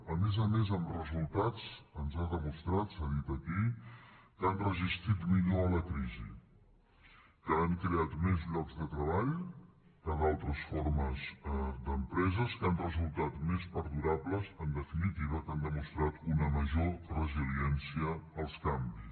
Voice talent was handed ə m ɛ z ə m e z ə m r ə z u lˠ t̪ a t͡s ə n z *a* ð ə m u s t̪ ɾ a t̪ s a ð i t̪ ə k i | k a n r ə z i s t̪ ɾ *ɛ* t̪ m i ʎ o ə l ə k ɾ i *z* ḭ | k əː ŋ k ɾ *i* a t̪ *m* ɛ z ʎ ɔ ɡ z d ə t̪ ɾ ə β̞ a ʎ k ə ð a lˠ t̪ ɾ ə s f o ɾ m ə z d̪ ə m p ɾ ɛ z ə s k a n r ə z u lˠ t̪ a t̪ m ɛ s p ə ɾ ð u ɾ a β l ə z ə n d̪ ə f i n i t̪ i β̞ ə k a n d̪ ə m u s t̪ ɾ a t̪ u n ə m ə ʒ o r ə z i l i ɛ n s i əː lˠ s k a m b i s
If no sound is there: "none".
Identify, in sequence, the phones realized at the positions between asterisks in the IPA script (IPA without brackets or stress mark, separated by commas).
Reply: a, i, z, e, m